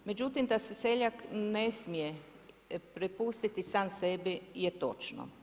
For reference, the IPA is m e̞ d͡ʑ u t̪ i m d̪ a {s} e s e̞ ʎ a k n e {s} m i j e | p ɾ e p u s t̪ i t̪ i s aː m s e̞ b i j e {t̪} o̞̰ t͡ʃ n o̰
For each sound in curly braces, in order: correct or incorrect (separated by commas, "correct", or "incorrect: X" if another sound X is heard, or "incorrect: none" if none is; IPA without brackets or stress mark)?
correct, correct, correct